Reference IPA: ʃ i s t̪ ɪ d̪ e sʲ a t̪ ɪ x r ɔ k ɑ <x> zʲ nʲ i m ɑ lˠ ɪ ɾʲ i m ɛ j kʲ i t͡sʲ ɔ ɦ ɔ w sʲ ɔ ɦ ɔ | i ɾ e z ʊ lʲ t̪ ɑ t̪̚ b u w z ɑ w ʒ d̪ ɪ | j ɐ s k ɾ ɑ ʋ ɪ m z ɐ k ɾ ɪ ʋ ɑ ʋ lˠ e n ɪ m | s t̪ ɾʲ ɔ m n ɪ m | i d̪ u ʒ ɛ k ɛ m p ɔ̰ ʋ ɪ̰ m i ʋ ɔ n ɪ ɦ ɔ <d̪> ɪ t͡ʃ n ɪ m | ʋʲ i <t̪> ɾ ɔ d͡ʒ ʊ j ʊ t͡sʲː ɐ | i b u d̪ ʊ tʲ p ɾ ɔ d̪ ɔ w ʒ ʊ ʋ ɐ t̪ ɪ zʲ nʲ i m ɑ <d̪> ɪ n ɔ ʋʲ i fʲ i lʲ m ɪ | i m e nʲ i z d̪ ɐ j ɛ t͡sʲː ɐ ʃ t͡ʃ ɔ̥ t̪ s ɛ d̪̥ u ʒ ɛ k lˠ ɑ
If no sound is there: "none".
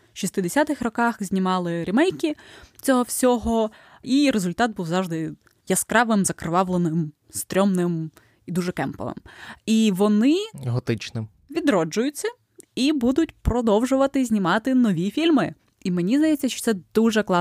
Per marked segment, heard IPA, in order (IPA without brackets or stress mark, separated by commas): x, t̪, d̪, t̪